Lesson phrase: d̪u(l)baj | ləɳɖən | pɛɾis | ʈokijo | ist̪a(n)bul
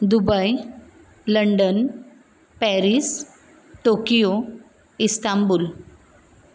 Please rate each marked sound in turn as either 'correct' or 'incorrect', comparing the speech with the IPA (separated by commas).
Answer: incorrect, incorrect